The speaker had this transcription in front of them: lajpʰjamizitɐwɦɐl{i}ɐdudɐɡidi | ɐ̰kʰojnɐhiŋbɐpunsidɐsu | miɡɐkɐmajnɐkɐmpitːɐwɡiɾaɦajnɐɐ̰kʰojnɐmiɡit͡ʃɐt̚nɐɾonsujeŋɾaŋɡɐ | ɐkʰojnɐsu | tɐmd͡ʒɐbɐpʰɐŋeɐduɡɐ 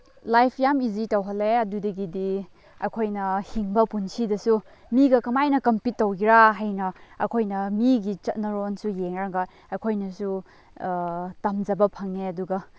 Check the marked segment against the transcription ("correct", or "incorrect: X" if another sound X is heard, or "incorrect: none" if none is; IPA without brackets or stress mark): incorrect: e